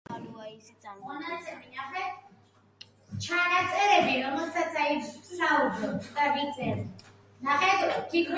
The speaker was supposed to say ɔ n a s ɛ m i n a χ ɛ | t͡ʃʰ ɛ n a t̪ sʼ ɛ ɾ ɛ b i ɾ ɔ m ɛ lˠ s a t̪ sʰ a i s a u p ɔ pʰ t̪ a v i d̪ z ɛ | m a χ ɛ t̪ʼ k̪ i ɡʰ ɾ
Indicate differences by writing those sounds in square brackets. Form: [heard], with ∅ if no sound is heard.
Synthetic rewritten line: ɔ n a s ɛ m i n a χ ɛ | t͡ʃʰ [a] n a t̪ sʼ ɛ ɾ ɛ b i ɾ ɔ m ɛ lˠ s a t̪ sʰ a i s a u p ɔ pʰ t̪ a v i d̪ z ɛ | [n] a χ ɛ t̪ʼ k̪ i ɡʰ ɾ